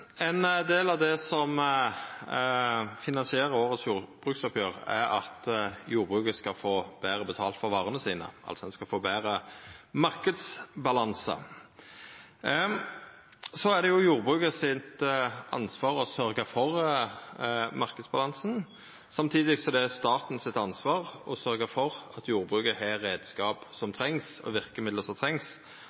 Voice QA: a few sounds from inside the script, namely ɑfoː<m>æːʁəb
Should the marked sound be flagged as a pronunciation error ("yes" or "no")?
yes